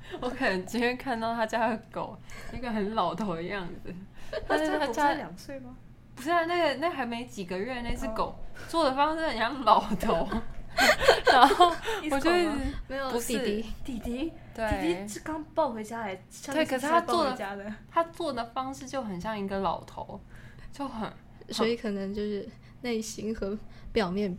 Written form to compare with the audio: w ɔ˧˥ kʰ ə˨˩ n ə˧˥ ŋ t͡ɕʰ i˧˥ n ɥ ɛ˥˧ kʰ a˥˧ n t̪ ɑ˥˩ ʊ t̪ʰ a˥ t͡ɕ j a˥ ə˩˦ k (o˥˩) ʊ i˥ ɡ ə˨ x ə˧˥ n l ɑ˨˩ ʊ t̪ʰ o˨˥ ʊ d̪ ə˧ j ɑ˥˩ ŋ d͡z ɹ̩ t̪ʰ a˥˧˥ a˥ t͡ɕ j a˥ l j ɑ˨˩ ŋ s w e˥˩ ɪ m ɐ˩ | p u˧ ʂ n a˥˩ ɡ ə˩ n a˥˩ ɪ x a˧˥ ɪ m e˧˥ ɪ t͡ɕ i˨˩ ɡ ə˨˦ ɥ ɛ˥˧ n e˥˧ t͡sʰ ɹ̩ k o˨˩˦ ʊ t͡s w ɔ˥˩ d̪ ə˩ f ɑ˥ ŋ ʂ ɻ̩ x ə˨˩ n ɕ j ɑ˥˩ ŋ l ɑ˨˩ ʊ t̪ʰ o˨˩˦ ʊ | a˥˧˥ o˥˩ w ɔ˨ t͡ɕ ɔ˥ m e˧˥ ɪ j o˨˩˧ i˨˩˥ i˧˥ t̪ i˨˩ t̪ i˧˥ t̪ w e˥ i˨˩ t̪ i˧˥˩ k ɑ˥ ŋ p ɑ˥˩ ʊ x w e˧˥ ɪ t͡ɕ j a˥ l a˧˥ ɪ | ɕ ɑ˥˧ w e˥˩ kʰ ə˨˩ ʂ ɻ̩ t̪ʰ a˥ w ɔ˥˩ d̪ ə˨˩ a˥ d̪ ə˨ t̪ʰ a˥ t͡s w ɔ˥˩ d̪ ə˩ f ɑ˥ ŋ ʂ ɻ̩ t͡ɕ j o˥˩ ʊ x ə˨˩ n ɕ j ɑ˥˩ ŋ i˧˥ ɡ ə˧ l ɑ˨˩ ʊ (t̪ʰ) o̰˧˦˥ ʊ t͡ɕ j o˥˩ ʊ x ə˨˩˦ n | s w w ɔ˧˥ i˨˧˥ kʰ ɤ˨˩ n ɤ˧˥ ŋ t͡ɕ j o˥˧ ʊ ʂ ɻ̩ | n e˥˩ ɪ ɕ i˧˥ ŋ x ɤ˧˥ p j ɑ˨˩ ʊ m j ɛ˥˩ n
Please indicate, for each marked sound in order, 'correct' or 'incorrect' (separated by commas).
incorrect, correct